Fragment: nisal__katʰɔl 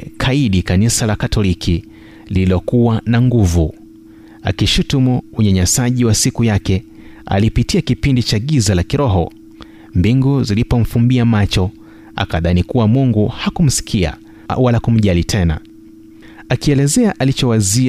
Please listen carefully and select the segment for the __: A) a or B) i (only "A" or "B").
A